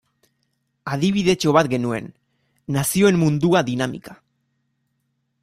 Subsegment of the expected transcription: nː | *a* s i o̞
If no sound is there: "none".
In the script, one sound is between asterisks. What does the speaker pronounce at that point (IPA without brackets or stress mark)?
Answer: a